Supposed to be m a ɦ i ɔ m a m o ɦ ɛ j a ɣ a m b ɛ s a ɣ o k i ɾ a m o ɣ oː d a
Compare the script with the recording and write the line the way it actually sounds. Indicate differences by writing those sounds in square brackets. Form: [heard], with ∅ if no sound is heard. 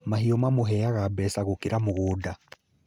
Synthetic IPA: m a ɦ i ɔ m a m o ɦ ɛ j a ɣ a [∅] b ɛ s a ɣ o k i ɾ a m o ɣ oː d a